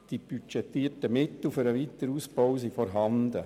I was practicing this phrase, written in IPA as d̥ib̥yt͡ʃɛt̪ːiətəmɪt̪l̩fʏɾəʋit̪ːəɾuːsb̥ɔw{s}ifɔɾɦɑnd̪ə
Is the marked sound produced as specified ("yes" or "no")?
yes